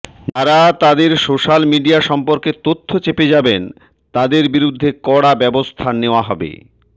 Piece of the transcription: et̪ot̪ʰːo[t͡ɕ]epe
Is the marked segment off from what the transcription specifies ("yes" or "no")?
no